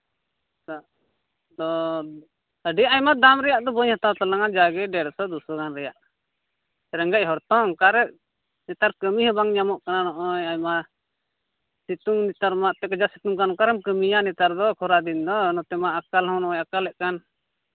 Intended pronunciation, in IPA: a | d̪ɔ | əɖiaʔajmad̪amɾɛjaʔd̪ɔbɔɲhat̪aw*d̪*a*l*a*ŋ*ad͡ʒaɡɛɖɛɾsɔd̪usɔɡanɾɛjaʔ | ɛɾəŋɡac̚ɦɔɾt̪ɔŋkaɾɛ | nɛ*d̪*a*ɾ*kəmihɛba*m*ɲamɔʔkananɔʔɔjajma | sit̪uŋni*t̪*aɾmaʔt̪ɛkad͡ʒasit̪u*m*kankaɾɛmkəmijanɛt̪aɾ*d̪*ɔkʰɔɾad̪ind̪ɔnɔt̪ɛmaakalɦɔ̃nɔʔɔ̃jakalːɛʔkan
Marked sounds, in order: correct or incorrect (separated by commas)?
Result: incorrect, correct, correct, incorrect, correct, incorrect, correct, incorrect, correct